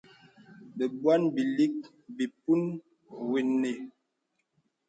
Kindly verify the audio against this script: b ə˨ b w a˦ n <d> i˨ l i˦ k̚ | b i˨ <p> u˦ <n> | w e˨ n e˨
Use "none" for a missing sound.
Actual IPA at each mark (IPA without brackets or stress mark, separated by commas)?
b, p, n